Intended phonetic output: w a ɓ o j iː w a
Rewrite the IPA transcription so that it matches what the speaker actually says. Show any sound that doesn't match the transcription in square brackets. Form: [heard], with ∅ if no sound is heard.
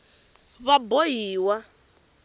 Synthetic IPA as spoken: [β] a [b] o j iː w a